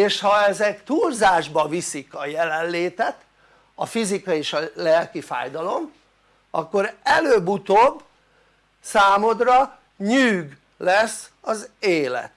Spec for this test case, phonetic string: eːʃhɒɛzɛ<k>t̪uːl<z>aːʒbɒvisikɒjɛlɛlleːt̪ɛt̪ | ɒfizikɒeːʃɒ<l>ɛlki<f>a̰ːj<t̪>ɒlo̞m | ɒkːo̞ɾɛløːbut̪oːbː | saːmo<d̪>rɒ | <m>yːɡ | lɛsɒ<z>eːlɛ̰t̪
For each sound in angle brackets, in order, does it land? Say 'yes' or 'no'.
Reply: yes, yes, yes, yes, no, yes, no, yes

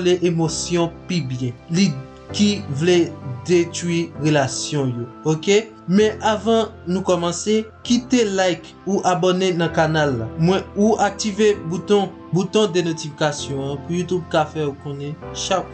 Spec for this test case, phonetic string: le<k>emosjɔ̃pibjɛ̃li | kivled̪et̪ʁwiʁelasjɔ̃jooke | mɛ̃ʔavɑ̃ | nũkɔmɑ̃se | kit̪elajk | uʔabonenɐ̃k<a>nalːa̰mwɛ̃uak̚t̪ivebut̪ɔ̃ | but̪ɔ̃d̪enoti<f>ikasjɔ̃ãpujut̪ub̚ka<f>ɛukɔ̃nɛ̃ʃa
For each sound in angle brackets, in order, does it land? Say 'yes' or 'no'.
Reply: no, yes, yes, yes

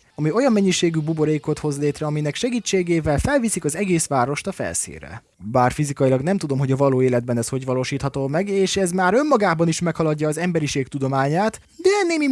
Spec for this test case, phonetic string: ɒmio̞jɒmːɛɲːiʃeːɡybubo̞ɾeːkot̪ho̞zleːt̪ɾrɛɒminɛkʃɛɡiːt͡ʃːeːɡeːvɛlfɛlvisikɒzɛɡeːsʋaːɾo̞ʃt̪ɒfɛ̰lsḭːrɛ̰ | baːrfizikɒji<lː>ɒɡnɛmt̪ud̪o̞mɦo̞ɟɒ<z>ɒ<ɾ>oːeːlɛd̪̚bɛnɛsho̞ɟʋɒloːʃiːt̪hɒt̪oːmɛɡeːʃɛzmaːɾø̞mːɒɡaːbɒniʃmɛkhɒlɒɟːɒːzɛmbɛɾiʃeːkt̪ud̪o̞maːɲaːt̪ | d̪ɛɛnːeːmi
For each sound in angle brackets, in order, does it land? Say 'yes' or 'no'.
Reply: no, no, no

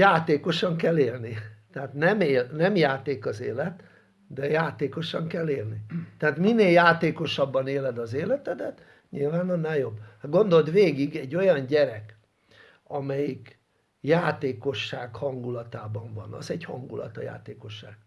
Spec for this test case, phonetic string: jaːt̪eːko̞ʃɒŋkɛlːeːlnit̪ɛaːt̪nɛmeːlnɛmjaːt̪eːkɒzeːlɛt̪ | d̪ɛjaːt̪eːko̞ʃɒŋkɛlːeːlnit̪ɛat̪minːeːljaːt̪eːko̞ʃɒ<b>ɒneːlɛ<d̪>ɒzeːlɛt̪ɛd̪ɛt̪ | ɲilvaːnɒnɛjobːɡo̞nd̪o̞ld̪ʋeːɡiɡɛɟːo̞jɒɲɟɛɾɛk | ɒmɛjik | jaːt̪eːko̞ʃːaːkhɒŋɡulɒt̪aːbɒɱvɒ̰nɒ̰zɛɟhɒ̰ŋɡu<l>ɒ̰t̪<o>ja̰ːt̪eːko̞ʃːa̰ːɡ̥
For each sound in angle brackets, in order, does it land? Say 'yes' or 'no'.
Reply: no, yes, yes, no

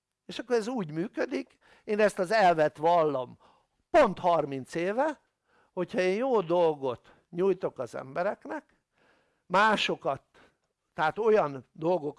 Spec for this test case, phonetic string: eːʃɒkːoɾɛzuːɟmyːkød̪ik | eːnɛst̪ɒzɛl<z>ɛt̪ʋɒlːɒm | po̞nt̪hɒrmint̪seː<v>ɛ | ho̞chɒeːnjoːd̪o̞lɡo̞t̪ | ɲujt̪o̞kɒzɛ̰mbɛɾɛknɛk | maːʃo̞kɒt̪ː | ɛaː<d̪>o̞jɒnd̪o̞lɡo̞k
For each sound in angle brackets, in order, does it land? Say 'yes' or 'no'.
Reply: no, yes, no

